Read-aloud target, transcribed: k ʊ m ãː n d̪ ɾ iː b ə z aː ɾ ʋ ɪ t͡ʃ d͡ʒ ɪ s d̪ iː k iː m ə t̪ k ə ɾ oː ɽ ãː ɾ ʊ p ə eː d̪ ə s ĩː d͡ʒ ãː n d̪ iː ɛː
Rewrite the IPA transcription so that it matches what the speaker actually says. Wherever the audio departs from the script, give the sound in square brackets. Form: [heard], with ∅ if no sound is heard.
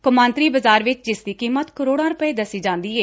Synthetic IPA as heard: k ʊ m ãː n [t̪] ɾ iː b ə z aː ɾ ʋ ɪ t͡ʃ d͡ʒ ɪ s d̪ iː k iː m ə t̪ k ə ɾ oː ɽ ãː ɾ ʊ p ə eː d̪ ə s [iː] d͡ʒ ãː n d̪ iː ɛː